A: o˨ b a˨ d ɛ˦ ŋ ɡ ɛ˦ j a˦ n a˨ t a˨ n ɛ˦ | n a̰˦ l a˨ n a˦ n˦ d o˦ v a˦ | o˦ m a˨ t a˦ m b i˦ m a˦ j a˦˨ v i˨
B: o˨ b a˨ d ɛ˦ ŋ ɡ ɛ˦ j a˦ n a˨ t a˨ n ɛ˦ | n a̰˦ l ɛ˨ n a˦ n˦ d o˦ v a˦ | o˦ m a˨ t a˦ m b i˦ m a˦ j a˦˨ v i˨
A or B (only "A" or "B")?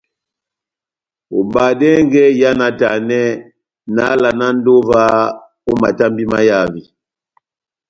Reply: A